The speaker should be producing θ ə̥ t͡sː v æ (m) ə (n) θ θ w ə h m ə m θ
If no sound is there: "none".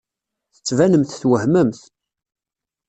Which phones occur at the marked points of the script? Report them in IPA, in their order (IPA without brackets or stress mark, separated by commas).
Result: n, m